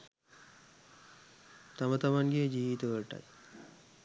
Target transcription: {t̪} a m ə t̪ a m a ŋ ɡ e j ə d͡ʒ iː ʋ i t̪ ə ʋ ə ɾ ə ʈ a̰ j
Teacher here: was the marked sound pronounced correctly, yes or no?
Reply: yes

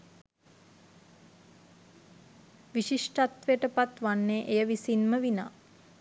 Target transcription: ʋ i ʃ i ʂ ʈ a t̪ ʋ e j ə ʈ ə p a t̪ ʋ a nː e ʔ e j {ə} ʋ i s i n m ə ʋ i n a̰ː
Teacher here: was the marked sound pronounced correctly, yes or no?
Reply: yes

